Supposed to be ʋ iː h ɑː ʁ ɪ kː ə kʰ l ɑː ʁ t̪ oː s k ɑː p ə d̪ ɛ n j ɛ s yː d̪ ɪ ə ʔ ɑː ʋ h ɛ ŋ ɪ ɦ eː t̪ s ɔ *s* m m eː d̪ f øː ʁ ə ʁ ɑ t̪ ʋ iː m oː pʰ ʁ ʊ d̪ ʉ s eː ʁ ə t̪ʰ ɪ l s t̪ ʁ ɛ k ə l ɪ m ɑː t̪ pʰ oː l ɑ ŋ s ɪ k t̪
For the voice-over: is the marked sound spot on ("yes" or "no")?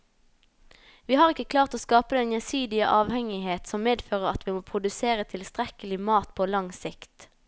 no